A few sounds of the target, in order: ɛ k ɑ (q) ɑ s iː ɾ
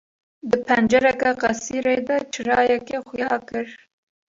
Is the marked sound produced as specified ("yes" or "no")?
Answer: yes